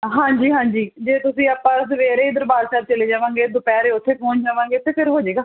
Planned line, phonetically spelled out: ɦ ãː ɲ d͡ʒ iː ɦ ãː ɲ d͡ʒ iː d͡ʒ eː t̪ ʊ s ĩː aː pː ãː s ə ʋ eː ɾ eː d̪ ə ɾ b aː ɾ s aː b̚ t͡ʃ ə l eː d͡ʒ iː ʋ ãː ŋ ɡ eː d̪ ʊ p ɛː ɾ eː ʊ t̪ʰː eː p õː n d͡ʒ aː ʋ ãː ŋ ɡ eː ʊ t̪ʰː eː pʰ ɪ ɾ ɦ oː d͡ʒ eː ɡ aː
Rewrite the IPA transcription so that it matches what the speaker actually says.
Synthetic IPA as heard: ɦ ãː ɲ d͡ʒ iː ɦ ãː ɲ d͡ʒ iː d͡ʒ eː t̪ ʊ s ĩː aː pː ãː s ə ʋ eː ɾ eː d̪ ə ɾ b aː ɾ s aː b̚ t͡ʃ ə l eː d͡ʒ aː ʋ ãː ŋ ɡ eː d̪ ʊ p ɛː ɾ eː ʊ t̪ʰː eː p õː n d͡ʒ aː ʋ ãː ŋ ɡ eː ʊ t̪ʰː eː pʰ ɪ ɾ ɦ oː d͡ʒ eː ɡ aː

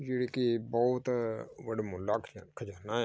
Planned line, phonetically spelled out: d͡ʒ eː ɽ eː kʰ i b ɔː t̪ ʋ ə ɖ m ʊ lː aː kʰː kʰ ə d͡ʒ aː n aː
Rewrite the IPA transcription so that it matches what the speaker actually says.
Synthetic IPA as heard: d͡ʒ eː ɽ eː k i b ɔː t̪ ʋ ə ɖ m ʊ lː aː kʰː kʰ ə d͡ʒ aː n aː

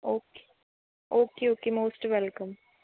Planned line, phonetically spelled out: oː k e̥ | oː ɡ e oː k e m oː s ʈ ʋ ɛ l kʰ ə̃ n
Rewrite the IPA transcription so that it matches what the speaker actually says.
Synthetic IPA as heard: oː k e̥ | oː k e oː k e m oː s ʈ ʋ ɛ l k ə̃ m

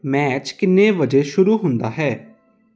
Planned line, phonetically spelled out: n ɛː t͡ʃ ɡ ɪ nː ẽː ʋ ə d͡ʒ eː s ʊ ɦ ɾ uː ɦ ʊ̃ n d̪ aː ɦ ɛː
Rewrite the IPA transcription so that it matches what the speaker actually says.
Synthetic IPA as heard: m ɛː t͡ʃ k ɪ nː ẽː ʋ ə d͡ʒ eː ʃ ʊ ɾ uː ɦ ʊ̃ n d̪ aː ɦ ɛː

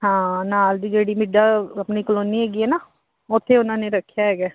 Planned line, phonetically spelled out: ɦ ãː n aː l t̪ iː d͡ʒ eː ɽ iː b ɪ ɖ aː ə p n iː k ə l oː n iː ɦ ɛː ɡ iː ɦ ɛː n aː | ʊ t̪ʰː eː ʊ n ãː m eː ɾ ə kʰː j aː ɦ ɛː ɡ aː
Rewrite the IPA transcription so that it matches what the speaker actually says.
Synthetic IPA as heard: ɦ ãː n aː l d̪ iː d͡ʒ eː ɽ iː m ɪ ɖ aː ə p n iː k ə l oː n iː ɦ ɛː ɡ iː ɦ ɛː n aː | ʊ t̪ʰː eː ʊ n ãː n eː ɾ ə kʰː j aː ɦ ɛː ɡ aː

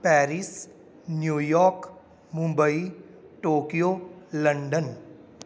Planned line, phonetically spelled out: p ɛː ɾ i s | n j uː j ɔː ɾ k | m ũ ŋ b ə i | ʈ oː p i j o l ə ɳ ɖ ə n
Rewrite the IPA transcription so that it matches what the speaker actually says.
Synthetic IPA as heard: p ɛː ɾ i s | n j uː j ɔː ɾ k | m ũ m b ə i | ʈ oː k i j o l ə ɳ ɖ ə n

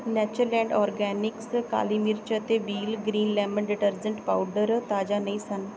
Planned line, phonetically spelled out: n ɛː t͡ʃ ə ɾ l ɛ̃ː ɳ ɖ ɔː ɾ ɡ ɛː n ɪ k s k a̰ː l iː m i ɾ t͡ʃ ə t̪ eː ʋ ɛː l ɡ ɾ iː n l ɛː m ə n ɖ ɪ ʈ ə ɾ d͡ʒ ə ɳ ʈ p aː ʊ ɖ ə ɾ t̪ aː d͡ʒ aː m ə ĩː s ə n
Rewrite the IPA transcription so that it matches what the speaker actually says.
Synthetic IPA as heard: n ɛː t͡ʃ ə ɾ l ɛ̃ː ɳ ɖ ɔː ɾ ɡ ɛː n ɪ k s k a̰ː l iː m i ɾ t͡ʃ ə t̪ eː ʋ iː l ɡ ɾ iː n l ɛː m ə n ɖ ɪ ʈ ə ɾ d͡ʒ ə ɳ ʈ p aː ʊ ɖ ə ɾ t̪ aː d͡ʒ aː n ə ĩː s ə n

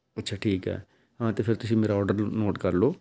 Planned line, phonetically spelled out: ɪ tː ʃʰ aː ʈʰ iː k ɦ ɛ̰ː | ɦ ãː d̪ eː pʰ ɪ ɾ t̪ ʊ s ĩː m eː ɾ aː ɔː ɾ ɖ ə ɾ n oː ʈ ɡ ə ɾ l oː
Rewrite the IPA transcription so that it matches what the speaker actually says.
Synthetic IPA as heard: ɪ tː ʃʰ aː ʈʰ iː k ɦ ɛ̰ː | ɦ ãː t̪ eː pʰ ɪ ɾ t̪ ʊ s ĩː m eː ɾ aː ɔː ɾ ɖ ə ɾ n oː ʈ k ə ɾ l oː

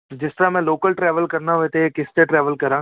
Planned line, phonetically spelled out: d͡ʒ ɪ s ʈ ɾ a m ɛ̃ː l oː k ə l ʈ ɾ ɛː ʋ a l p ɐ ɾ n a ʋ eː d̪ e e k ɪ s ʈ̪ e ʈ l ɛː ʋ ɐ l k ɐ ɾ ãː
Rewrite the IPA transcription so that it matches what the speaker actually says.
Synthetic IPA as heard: d͡ʒ ɪ s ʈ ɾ a m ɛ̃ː l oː k ə l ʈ ɾ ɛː ʋ ə l k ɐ ɾ n a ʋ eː t̪ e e k ɪ s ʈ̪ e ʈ ɾ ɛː ʋ ə l k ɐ ɾ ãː

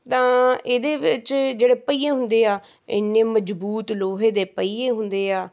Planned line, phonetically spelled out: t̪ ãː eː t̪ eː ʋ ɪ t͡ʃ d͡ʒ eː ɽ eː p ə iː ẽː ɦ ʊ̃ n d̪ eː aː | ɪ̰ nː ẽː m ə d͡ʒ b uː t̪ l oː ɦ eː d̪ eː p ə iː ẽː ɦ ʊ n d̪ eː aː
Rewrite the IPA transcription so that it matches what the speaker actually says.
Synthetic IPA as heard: t̪ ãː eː d̪ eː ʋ ɪ t͡ʃ d͡ʒ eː ɽ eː p ə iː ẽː ɦ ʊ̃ n d̪ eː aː | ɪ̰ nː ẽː m ə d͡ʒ b uː t̪ l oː ɦ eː d̪ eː p ə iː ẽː ɦ ʊ n d̪ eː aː

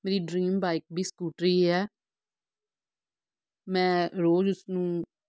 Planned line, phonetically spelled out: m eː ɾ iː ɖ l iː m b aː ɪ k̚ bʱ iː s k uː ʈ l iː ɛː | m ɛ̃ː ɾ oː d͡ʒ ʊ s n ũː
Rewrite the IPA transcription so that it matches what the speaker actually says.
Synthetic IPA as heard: m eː ɾ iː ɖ ɾ iː m b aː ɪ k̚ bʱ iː s k uː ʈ ɾ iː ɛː | m ɛ̃ː ɾ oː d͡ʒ ʊ s n ũː

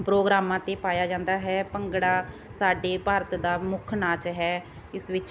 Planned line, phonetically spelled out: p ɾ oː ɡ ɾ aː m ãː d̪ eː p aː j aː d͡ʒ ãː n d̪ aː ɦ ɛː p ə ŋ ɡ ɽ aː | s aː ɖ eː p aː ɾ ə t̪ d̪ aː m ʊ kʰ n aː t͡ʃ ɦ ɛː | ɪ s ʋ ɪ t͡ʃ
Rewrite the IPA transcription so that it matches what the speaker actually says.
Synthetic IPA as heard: p ɾ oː ɡ ɾ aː m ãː t̪ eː p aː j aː d͡ʒ ãː n d̪ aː ɦ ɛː p ə ŋ ɡ ɽ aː | s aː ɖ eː p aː ɾ ə t̪ d̪ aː m ʊ kʰ n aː t͡ʃ ɦ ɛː | ɪ s ʋ ɪ t͡ʃ

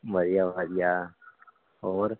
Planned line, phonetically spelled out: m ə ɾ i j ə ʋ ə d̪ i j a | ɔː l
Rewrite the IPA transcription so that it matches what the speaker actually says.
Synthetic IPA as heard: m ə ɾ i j a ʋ a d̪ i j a | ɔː ɾ

